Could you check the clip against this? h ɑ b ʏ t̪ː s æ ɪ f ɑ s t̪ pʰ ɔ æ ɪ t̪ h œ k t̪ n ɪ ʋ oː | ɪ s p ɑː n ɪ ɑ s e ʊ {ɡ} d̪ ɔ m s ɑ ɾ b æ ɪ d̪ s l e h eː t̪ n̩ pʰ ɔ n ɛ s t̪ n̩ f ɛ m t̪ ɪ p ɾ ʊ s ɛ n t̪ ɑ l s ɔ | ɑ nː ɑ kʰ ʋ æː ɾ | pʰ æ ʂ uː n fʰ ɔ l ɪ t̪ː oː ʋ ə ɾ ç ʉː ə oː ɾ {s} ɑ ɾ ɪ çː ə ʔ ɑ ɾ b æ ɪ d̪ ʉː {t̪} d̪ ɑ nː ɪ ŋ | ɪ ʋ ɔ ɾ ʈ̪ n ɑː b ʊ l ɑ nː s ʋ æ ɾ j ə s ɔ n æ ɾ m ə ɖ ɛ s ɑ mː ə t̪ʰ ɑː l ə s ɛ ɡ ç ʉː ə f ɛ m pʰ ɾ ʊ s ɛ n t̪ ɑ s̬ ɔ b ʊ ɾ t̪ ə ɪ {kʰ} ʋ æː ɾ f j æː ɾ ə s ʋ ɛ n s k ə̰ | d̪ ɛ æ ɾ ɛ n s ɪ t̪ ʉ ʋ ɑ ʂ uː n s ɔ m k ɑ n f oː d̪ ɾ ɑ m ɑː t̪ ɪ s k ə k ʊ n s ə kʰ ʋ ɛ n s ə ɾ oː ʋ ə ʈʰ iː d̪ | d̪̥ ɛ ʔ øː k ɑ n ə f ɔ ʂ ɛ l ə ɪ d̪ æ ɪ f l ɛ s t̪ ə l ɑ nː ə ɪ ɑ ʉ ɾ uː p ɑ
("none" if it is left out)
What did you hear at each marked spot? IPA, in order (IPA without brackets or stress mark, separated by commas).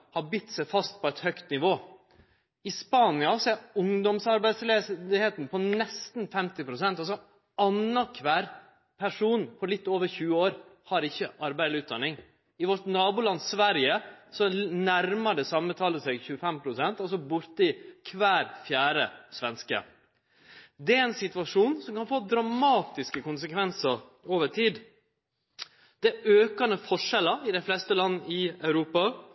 ŋ, h, t̪, kʰ